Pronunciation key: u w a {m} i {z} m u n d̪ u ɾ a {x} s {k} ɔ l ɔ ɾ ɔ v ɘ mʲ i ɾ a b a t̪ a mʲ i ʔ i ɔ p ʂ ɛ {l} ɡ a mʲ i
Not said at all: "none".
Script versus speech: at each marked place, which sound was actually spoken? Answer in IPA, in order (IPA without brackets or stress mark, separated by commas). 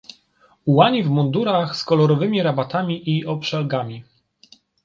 ɲ, v, x, k, l